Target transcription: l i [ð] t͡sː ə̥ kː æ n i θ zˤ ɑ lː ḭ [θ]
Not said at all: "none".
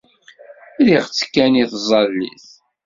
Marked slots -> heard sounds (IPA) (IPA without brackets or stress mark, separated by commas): ʁ, θ